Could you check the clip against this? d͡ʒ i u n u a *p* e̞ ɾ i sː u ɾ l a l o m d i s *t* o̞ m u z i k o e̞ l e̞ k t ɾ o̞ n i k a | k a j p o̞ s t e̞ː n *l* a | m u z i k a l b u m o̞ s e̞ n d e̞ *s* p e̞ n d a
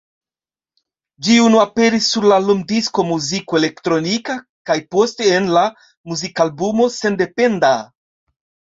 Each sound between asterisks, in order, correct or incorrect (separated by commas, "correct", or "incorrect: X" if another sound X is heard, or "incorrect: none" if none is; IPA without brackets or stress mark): correct, incorrect: k, correct, incorrect: none